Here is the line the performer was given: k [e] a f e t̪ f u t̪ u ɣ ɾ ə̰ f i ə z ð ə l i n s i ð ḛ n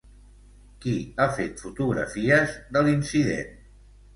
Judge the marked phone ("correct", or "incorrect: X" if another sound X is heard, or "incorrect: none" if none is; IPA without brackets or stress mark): incorrect: i